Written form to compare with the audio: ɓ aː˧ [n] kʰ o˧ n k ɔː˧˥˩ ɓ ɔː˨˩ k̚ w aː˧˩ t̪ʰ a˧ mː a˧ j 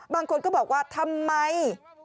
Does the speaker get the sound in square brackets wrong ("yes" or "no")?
yes